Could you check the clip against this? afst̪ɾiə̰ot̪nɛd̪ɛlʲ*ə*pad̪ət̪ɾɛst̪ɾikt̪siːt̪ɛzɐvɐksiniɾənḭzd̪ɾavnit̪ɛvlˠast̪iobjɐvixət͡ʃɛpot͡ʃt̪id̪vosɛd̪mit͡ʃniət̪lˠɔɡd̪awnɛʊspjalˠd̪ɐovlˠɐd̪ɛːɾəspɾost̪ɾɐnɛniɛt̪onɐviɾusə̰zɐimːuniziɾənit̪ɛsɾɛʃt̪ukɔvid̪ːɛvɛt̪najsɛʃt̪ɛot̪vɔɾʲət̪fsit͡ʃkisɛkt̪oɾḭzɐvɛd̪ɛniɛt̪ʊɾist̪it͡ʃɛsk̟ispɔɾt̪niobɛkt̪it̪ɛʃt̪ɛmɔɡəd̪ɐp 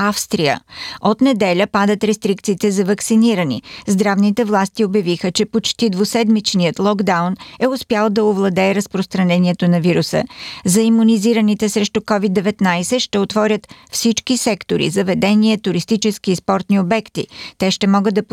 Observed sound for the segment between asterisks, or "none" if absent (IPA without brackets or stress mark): ə